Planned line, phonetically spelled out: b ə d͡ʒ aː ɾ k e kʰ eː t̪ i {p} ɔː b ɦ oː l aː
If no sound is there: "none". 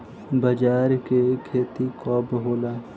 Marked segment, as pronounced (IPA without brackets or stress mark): k